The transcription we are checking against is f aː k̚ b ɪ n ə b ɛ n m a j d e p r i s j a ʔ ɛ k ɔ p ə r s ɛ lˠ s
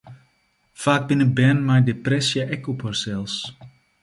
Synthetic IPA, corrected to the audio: f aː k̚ b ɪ n ə b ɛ n m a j d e p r ɛ s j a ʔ ɛ k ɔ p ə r s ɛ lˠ s